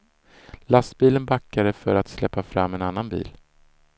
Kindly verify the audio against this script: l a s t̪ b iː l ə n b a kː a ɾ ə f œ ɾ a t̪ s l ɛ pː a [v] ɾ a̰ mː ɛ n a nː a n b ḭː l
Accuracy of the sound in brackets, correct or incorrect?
incorrect